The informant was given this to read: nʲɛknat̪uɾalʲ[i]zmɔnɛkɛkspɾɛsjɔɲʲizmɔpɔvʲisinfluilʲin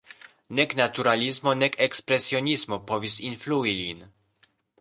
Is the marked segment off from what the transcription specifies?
no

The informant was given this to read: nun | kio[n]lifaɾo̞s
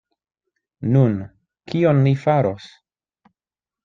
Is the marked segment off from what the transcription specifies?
no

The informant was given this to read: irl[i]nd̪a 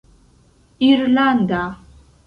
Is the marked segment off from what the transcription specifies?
yes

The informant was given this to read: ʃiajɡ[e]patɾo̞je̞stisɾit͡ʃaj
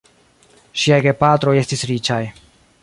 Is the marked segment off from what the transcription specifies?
no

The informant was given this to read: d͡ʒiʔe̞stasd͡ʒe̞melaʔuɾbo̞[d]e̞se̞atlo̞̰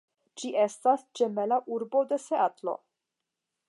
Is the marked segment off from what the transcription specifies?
no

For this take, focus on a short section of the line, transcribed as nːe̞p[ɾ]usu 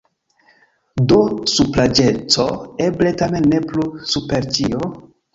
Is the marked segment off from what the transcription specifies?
yes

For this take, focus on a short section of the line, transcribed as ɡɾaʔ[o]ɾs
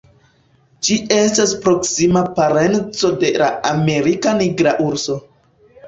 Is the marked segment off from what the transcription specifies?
yes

